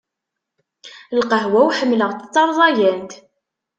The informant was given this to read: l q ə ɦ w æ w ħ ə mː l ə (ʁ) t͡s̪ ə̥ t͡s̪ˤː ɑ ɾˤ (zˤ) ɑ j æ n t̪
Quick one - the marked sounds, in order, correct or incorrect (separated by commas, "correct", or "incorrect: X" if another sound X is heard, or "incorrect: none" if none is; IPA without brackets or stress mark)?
correct, incorrect: ðˤ